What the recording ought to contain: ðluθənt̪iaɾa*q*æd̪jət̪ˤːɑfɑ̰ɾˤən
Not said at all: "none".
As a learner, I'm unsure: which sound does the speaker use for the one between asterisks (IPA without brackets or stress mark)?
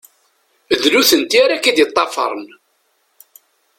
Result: k